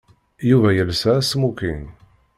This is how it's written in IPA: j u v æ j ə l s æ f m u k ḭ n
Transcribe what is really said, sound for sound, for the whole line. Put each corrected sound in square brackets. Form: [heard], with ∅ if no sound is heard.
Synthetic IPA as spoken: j u v æ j ə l s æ [s] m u k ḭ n